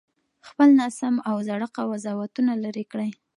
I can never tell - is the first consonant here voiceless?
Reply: yes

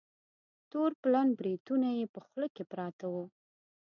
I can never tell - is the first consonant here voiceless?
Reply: yes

